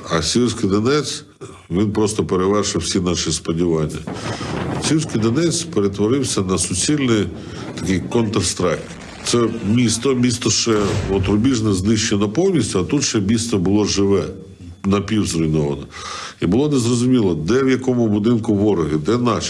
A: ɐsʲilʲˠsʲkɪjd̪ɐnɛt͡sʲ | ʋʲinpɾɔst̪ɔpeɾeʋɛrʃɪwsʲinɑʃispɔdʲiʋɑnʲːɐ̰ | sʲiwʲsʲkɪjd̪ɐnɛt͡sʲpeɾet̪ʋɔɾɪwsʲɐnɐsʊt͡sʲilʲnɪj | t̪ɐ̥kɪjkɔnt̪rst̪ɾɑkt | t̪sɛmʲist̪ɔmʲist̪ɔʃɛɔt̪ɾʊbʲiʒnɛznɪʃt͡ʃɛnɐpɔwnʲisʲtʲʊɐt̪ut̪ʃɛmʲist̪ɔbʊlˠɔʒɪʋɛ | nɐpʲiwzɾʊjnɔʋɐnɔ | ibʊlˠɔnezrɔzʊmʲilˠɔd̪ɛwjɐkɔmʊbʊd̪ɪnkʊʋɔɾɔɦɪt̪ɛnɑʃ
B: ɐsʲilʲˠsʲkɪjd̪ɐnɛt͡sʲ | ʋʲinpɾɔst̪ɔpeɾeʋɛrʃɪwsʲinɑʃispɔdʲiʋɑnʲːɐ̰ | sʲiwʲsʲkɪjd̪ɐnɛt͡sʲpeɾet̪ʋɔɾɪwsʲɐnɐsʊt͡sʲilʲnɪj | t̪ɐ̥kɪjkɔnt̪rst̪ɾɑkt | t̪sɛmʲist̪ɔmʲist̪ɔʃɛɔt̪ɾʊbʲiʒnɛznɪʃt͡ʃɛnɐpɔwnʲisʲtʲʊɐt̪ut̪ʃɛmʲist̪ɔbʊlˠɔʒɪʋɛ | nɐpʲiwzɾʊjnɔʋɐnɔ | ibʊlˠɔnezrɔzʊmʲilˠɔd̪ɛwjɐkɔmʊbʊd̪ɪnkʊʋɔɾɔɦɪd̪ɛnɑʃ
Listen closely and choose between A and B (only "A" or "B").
B